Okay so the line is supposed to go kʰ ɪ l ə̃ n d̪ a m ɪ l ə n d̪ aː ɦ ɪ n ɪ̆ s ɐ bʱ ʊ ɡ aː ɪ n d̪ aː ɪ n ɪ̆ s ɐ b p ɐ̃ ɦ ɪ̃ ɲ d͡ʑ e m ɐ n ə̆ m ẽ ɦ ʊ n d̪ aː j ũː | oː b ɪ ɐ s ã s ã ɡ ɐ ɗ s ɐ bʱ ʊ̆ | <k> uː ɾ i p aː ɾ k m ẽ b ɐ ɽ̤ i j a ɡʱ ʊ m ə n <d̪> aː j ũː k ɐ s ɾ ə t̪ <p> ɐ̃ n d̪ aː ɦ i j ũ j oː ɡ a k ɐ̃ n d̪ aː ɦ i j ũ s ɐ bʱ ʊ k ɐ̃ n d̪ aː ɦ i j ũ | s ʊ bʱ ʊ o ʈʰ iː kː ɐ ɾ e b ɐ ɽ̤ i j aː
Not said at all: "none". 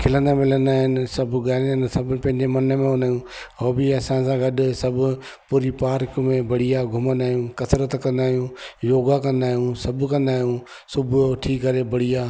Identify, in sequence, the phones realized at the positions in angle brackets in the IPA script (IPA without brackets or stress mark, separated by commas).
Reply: p, d̪, k